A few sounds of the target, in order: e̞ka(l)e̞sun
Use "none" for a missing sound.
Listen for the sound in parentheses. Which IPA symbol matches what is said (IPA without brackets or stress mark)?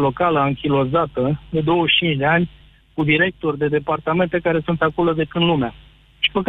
ɾ